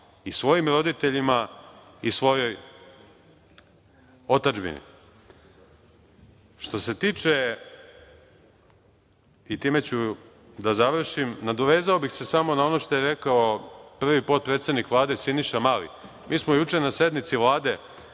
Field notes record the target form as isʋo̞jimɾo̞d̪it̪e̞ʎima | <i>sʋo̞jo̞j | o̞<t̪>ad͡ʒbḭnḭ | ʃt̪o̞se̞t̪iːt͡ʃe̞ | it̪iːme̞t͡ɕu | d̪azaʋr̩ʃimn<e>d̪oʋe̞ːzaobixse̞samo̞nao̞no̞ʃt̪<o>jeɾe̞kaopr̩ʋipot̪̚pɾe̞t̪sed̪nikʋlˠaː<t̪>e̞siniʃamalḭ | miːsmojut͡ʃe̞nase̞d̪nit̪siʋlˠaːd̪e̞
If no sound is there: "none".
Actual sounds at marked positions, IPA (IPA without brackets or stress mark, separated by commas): i, t̪, a, o, d̪